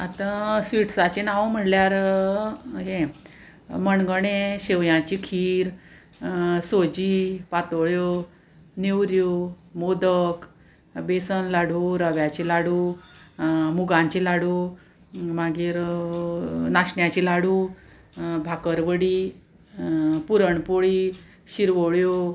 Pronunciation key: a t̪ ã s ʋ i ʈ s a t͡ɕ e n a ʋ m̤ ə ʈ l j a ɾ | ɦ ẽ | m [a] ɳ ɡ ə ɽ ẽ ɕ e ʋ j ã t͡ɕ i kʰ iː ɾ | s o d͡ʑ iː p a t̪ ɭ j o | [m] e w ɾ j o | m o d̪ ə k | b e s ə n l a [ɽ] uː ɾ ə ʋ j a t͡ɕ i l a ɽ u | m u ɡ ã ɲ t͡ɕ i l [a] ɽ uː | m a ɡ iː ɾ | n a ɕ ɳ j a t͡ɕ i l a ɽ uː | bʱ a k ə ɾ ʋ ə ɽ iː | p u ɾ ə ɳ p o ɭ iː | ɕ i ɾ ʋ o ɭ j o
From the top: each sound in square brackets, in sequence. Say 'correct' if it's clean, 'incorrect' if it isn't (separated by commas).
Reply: incorrect, incorrect, correct, correct